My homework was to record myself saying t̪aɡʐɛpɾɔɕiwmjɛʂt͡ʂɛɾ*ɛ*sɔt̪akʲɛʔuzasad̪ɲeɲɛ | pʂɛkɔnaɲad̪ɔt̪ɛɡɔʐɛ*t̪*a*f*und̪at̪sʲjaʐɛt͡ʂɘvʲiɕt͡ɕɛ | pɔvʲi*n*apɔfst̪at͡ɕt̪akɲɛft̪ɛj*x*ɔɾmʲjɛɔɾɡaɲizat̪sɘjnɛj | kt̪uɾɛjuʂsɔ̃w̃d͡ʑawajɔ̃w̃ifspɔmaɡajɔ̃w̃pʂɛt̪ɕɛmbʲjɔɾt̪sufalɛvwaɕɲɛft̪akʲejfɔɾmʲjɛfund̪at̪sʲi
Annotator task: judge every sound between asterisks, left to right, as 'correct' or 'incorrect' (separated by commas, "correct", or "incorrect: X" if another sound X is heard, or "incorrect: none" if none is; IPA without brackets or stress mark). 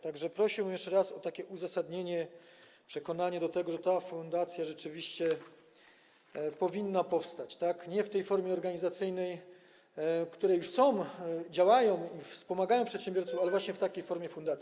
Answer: incorrect: a, correct, correct, incorrect: nː, incorrect: f